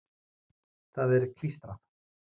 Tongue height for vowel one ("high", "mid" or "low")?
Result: low